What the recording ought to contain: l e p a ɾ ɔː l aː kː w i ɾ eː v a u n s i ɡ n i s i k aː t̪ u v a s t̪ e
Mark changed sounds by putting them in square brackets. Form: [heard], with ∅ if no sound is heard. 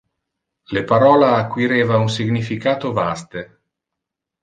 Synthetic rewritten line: l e p a ɾ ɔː l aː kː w i ɾ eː v a u n s i ɡ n i [f] i k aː t̪ [o] v a s t̪ e

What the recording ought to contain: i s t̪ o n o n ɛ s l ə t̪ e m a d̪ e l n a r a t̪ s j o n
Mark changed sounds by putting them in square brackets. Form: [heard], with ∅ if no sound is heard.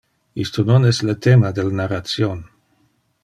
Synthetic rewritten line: i s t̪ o n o n ɛ s l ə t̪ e m a d̪ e l n a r a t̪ s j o n

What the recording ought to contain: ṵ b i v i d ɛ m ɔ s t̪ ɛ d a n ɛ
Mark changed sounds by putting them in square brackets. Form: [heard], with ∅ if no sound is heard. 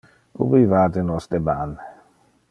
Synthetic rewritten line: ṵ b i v [a] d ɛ [n] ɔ s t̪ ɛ [b] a n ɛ

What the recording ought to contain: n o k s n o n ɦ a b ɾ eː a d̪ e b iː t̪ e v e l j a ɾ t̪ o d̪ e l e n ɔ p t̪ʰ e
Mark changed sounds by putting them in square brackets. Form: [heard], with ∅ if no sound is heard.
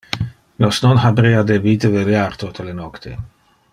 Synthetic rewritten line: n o [∅] s n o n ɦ a b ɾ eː a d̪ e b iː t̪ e v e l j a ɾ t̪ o [t̪] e l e n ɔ [k] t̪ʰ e

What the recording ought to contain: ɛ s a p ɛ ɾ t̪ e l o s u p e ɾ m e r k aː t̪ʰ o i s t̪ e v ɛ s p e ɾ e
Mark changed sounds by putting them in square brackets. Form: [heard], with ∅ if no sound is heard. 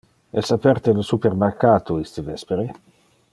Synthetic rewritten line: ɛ s a p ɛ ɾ t̪ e l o s u p e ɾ m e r k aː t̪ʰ o i s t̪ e v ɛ s p e ɾ e

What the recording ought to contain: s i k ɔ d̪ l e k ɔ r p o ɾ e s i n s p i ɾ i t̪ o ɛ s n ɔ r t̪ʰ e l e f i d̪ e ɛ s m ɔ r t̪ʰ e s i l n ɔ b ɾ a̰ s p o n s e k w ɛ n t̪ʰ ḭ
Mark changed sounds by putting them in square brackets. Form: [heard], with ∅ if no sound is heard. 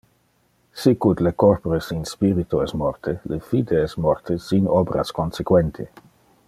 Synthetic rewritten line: s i k [u] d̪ l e k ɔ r p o ɾ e s i n s p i ɾ i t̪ o ɛ s [m] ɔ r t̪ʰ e l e f i d̪ e ɛ s m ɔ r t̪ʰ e s i [∅] n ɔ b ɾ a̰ s [k] o n s e k w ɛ n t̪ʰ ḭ

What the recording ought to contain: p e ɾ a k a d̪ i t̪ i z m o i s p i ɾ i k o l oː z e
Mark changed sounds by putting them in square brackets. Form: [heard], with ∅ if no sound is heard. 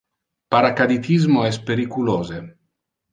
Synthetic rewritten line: p [a] ɾ a k a d̪ i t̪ i z m o [ɛ] s p [e] ɾ i k [u] l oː z e

